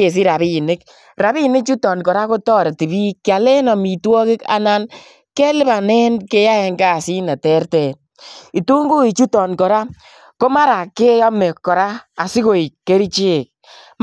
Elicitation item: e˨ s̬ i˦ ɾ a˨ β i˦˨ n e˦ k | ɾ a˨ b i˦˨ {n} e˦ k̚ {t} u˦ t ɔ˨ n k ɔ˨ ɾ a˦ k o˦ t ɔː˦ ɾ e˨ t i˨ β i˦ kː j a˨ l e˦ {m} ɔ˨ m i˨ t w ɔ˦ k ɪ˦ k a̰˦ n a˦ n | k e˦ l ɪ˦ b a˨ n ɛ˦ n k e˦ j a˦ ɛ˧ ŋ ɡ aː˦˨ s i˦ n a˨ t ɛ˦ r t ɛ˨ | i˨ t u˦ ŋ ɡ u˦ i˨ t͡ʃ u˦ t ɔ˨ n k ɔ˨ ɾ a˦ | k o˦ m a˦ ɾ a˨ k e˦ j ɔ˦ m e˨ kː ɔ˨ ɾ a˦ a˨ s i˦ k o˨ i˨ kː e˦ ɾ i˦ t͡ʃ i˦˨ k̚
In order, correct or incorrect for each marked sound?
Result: correct, incorrect, incorrect

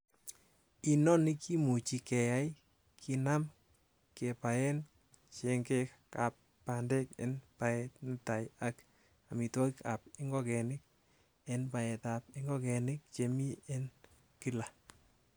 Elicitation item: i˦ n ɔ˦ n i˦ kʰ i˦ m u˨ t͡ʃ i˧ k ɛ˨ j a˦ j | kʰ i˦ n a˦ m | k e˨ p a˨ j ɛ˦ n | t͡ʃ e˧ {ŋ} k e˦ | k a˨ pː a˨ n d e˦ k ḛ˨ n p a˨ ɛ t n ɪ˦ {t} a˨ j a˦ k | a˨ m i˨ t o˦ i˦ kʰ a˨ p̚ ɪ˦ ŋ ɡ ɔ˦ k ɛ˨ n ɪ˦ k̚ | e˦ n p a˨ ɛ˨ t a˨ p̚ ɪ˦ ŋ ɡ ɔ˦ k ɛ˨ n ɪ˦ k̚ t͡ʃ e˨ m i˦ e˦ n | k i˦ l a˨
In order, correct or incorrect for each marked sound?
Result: correct, correct

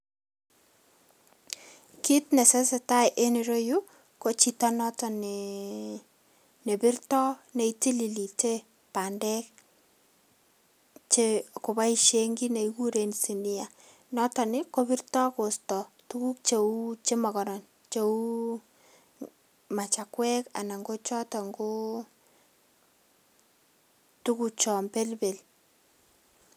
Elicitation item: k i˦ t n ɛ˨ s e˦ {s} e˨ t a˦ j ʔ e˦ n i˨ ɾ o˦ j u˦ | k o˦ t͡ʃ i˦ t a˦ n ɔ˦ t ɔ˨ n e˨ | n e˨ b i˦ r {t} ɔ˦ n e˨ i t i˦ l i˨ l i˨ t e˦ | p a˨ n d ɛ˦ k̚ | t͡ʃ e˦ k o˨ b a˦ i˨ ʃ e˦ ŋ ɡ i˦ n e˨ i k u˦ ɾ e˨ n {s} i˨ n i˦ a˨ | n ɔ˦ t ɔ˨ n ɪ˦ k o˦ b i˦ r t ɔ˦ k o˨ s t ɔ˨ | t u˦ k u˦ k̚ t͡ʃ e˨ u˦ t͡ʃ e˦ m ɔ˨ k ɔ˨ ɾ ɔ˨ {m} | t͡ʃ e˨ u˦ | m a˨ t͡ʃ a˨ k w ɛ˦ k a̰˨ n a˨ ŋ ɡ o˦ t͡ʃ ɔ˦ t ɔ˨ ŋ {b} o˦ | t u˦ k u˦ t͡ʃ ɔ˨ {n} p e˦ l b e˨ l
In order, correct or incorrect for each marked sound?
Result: correct, correct, correct, incorrect, incorrect, incorrect

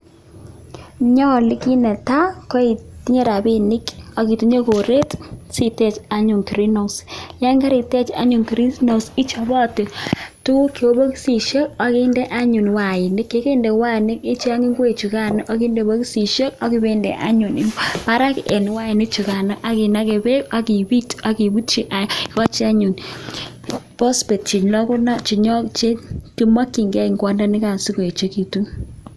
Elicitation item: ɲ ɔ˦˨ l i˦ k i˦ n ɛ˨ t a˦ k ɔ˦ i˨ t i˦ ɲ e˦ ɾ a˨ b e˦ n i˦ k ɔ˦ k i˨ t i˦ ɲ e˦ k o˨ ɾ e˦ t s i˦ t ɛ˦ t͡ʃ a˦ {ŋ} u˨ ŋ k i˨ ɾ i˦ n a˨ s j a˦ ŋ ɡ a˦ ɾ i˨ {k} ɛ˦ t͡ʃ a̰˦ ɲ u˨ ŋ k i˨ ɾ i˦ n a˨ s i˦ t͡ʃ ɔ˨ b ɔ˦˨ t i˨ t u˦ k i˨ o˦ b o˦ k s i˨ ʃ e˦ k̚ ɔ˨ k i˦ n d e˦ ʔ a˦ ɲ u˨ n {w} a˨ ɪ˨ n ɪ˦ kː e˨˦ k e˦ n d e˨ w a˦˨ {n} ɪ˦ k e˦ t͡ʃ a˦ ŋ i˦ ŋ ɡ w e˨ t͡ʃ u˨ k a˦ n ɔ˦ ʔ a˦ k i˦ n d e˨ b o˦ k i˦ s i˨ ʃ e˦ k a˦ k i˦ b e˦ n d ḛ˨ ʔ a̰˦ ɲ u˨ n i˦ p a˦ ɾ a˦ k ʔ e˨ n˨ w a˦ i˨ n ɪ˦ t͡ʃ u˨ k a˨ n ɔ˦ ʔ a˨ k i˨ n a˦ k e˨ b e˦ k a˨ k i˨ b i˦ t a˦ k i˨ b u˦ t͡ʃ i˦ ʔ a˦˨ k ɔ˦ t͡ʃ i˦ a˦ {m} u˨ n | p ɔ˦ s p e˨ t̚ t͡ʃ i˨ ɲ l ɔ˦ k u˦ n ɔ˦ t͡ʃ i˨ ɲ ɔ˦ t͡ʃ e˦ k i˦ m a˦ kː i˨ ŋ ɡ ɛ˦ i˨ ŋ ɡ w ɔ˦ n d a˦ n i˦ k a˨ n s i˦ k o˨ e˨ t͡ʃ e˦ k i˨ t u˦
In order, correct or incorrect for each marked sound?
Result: incorrect, incorrect, correct, correct, incorrect

